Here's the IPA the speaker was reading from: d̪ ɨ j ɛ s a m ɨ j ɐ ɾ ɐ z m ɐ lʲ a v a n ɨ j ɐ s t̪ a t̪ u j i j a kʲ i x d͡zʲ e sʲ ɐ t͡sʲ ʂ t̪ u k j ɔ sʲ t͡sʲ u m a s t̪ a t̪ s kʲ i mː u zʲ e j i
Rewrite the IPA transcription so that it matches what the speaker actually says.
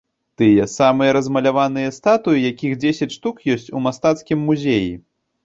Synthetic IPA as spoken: t̪ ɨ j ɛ s a m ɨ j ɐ ɾ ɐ z m ɐ lʲ a v a n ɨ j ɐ s t̪ a t̪ u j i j a kʲ i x d͡zʲ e sʲ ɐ t͡sʲ ʂ t̪ u k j ɔ sʲ t͡sʲ u m a s t̪ a t̪ s kʲ i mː u zʲ e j i